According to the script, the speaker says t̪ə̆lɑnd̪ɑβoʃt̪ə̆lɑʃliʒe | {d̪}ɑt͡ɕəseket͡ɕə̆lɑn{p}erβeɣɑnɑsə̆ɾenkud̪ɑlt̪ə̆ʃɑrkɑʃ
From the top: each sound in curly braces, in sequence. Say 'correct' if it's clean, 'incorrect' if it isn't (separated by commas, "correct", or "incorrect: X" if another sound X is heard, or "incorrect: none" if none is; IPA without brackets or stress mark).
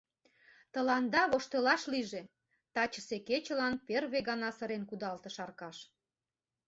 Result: incorrect: t̪, correct